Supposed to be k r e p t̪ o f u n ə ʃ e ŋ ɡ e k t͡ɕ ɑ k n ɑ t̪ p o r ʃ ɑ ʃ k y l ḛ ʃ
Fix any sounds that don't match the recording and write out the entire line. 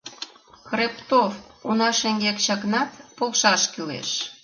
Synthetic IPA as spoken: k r e p t̪ o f u n ɑ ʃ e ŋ ɡ e k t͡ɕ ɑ k n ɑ t̪ p o l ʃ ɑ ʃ k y l ḛ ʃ